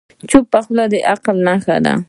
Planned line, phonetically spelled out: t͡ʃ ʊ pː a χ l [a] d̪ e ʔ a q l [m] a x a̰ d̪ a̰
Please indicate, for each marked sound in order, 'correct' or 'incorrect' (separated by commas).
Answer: correct, incorrect